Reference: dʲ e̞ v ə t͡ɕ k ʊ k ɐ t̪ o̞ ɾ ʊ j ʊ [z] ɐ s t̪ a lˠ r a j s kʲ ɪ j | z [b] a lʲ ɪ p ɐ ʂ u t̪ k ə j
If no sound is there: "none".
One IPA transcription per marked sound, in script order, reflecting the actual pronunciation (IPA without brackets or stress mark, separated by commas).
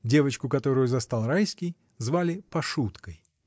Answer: z, v